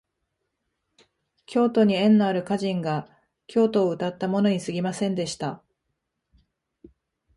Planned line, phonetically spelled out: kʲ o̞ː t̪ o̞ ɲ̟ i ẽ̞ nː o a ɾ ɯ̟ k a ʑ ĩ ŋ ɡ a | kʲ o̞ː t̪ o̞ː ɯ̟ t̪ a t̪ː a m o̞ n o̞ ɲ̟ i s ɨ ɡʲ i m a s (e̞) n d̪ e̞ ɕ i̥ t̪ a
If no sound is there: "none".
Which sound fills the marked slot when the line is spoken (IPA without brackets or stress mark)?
ẽ̞